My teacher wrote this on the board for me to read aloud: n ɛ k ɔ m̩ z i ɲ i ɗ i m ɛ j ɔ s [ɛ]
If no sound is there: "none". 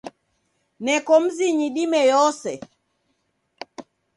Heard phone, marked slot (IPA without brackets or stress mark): ɛ